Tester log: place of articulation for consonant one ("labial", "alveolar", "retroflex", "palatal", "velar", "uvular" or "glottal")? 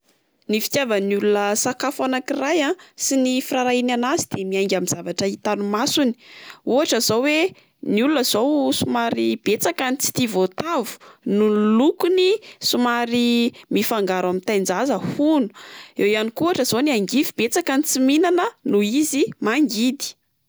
alveolar